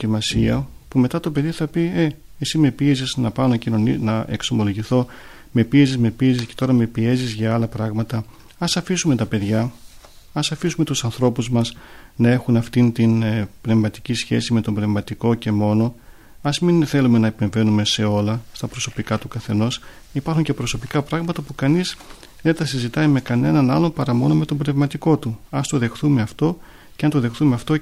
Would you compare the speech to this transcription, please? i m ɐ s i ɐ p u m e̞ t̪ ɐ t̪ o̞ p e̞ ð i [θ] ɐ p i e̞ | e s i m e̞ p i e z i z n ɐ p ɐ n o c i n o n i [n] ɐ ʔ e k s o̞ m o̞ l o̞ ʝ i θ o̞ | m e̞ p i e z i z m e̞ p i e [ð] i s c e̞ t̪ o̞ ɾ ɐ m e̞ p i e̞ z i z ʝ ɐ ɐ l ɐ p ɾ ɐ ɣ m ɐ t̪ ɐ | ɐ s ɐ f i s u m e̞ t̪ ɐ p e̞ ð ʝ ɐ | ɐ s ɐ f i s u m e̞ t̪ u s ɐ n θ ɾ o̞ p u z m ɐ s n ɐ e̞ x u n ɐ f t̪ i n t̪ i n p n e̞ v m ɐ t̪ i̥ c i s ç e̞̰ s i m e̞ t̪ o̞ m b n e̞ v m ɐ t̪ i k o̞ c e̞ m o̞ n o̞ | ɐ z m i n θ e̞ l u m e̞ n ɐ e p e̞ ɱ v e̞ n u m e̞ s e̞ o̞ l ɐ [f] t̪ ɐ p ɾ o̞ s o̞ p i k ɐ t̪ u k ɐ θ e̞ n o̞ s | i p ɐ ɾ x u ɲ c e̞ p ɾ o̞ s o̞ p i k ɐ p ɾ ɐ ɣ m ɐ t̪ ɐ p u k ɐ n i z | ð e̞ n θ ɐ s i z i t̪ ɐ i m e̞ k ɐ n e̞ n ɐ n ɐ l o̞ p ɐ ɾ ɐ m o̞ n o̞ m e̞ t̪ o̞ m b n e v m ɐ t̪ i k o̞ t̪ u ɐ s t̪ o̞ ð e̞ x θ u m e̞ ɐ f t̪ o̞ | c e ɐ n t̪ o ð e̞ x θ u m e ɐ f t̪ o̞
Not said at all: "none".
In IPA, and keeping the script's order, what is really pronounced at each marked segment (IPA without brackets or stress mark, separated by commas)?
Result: θ, n, z, s